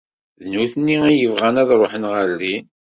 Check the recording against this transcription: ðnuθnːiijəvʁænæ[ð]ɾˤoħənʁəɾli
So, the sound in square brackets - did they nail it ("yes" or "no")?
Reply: yes